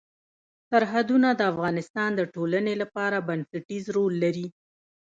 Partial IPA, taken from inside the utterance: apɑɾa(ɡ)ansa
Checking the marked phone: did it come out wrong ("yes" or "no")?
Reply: yes